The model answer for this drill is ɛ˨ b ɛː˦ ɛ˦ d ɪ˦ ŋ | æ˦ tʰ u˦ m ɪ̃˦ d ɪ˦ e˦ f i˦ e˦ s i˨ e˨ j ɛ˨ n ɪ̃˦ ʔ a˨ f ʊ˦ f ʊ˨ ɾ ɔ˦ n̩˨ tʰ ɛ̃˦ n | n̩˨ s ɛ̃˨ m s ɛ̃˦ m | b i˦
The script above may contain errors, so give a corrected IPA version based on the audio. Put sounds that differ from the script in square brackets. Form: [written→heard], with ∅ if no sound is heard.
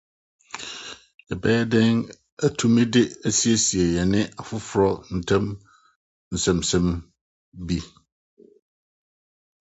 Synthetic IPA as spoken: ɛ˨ b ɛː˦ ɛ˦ d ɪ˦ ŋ | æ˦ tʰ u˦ m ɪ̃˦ d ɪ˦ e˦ [f→s] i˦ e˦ s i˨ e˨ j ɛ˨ n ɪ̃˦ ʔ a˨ f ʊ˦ f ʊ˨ ɾ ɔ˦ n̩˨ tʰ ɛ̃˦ [n→m] | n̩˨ s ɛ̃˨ m s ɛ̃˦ m | b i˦